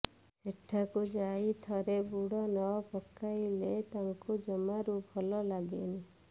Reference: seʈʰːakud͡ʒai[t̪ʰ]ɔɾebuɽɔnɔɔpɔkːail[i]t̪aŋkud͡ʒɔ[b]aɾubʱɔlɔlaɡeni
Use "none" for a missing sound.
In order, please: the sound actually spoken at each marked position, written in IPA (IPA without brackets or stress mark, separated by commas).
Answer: t̪ʰ, e, m